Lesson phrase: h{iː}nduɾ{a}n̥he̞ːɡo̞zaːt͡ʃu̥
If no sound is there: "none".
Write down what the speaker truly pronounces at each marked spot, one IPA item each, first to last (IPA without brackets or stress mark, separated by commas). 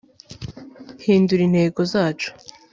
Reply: iː, i